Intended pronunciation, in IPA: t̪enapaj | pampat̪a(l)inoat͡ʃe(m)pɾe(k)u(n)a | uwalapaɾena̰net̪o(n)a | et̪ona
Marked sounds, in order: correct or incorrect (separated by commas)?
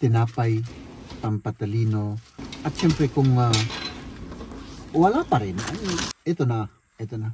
correct, correct, correct, incorrect, correct